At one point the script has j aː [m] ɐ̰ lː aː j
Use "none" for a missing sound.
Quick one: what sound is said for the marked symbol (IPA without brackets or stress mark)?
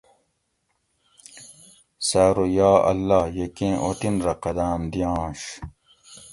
none